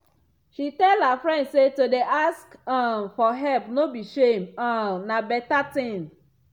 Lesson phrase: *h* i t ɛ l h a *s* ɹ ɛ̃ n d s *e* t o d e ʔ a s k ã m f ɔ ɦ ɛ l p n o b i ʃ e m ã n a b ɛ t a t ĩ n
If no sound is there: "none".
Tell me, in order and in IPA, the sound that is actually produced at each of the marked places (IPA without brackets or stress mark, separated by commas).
ʃ, f, e